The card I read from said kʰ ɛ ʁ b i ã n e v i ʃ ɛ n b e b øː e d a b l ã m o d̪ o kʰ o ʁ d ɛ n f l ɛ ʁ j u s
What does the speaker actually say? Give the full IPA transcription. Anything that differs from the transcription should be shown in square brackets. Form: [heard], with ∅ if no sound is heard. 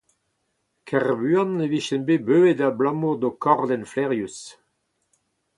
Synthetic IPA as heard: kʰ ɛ ʁ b [y] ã n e v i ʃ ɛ n b e b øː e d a b l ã m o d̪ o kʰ [ɔ] ʁ d ɛ n f l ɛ ʁ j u s